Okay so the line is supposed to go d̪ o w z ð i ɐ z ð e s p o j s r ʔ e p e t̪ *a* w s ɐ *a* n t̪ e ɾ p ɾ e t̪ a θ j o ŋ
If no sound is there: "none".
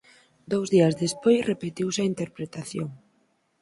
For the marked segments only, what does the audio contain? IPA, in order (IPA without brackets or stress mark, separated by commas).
i, i